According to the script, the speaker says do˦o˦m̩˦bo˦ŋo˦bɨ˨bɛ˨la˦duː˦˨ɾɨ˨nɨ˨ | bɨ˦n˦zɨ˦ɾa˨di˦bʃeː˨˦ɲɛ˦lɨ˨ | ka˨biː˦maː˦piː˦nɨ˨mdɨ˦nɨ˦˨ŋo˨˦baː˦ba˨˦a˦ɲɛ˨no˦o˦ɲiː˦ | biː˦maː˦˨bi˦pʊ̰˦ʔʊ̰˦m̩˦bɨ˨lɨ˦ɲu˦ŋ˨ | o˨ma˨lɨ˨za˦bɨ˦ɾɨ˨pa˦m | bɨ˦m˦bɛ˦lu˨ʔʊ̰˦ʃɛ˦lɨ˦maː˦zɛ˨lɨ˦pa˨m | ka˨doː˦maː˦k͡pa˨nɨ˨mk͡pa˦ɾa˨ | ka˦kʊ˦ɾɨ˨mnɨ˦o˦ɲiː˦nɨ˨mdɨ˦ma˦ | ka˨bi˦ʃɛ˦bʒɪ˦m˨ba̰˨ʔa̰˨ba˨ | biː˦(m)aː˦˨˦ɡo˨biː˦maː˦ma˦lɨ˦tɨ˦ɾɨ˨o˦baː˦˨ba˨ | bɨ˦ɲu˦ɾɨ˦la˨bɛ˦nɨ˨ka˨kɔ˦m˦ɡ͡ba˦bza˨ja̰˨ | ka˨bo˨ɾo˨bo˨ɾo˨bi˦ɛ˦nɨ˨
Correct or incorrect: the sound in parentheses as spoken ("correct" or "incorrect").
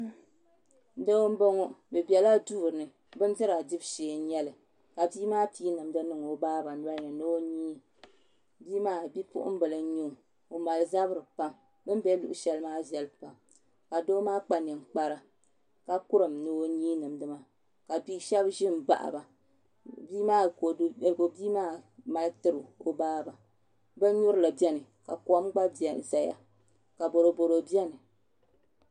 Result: correct